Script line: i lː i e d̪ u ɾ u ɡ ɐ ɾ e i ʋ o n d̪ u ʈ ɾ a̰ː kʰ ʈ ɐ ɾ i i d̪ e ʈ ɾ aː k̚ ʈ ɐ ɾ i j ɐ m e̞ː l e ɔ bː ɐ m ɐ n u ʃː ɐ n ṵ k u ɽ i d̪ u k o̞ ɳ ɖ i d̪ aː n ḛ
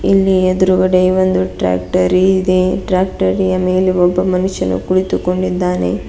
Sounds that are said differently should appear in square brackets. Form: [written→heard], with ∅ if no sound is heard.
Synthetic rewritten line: i lː i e d̪ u ɾ u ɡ ɐ [ɾ→ɽ] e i ʋ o n d̪ u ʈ ɾ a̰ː [kʰ→k] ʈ ɐ ɾ i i d̪ e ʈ ɾ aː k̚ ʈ ɐ ɾ i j ɐ m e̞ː l e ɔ bː ɐ m ɐ n u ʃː ɐ n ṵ k u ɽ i [d̪→t̪] u k o̞ ɳ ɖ i [d̪→d̪ː] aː n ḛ

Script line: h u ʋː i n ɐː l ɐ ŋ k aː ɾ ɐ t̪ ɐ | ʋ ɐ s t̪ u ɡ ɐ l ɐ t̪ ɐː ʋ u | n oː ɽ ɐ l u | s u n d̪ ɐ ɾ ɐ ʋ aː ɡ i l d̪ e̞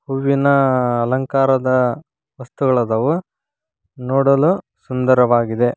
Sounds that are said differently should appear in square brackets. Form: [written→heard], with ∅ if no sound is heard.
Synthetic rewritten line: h u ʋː i n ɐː l ɐ ŋ k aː ɾ ɐ [t̪→d̪] ɐ | ʋ ɐ s t̪ u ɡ ɐ [l→ɭ] ɐ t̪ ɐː ʋ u | n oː ɽ ɐ l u | s u n d̪ ɐ ɾ ɐ ʋ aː ɡ i [l→∅] d̪ e̞

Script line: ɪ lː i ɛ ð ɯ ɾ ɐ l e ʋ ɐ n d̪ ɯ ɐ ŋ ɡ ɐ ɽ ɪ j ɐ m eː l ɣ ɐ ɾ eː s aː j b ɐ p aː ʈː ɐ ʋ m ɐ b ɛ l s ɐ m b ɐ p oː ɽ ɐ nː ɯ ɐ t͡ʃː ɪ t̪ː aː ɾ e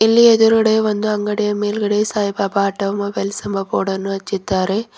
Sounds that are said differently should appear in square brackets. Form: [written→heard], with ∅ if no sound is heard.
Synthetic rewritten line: ɪ lː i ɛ ð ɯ ɾ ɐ [l→ɽ] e ʋ ɐ n d̪ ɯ ɐ ŋ ɡ ɐ ɽ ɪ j ɐ m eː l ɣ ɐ [ɾ→ɽ] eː s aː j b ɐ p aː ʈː ɐ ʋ m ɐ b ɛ l s ɐ m b ɐ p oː ɽ ɐ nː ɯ ɐ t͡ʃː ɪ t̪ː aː ɾ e

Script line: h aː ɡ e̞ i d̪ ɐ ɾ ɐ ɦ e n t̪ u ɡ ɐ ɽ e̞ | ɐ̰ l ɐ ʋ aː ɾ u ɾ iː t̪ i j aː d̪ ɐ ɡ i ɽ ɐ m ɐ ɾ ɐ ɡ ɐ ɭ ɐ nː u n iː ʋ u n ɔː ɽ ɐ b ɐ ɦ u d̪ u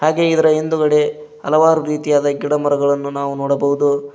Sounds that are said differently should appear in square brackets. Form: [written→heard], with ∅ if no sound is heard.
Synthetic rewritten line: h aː ɡ e̞ i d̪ ɐ ɾ ɐ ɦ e n [t̪→d̪] u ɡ ɐ ɽ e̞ | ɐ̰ l ɐ ʋ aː ɾ u ɾ iː t̪ i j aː d̪ ɐ ɡ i ɽ ɐ m ɐ ɾ ɐ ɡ ɐ ɭ ɐ nː u n [iː→aː] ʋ u n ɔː ɽ ɐ b ɐ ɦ u d̪ u

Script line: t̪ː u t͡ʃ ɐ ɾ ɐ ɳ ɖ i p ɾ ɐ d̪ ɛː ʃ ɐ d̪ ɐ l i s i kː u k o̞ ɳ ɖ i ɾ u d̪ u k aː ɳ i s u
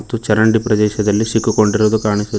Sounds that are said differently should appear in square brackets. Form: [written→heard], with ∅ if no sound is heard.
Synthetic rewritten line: t̪ː u t͡ʃ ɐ ɾ ɐ ɳ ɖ i p ɾ ɐ d̪ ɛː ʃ ɐ d̪ ɐ [l→lː] i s i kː u k o̞ ɳ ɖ i ɾ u d̪ u k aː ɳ i s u

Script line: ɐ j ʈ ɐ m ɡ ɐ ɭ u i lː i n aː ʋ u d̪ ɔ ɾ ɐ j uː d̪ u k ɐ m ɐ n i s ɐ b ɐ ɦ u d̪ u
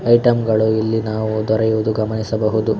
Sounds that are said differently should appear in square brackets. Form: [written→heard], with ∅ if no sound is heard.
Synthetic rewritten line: ɐ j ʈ ɐ m ɡ ɐ ɭ u i lː i n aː ʋ u d̪ ɔ ɾ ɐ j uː d̪ u [k→ɡ] ɐ m ɐ n i s ɐ b ɐ ɦ u d̪ u

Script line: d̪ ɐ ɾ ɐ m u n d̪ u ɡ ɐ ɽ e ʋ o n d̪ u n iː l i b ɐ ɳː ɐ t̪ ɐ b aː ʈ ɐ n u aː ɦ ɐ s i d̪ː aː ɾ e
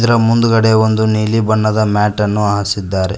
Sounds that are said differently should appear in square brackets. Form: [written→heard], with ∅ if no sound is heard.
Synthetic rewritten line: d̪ ɐ ɾ ɐ m u n d̪ u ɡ ɐ ɽ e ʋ o n d̪ u n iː l i b ɐ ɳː ɐ [t̪→d̪] ɐ [b→m] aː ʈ ɐ [n→nː] u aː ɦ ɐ s i d̪ː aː ɾ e

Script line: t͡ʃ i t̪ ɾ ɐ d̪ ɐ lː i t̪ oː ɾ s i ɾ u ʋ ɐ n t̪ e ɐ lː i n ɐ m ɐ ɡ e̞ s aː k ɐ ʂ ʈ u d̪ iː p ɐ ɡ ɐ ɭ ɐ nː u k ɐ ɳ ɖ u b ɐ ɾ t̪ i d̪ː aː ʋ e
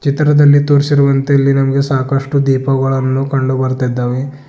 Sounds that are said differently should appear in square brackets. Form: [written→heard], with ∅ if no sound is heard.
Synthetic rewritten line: t͡ʃ i t̪ ɾ ɐ d̪ ɐ lː i t̪ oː ɾ s i ɾ u ʋ ɐ n t̪ e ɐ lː i n ɐ m ɐ ɡ e̞ s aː k ɐ ʂ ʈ u d̪ iː p ɐ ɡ ɐ ɭ ɐ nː u k ɐ ɳ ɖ u b ɐ ɾ t̪ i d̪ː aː ʋ e

